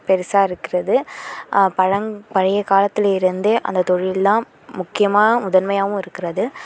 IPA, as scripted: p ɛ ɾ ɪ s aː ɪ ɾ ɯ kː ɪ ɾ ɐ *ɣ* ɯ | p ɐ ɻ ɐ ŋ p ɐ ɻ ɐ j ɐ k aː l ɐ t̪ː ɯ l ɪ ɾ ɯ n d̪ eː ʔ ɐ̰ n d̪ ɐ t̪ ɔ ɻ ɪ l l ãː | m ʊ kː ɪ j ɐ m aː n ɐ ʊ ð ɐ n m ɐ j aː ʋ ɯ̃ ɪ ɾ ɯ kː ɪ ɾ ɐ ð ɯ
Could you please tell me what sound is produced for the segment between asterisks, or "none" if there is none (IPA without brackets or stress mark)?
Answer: ð